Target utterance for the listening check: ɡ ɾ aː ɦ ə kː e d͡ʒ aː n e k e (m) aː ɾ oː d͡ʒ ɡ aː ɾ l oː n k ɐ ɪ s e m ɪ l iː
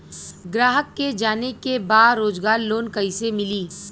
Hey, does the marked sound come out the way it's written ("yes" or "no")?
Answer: no